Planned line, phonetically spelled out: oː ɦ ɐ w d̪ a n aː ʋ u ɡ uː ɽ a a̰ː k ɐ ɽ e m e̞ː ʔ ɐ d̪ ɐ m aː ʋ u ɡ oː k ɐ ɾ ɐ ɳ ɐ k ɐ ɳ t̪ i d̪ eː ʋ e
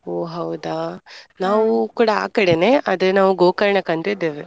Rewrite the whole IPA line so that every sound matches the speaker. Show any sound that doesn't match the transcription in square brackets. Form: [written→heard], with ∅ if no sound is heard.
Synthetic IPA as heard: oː ɦ ɐ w d̪ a n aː ʋ u [ɡ→k] uː ɽ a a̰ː k ɐ ɽ e [m→n] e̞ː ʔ ɐ d̪ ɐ [m→n] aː ʋ u ɡ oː k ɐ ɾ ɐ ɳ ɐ k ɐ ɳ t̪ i d̪ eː ʋ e